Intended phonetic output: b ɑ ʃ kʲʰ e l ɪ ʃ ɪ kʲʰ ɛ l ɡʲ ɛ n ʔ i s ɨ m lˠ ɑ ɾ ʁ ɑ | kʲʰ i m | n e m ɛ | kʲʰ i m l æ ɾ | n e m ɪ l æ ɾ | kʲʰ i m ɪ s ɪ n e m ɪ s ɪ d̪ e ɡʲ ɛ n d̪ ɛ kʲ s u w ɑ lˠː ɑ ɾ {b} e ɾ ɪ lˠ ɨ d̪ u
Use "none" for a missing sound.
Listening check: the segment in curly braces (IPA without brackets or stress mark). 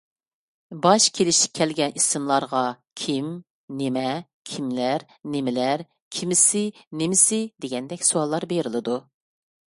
b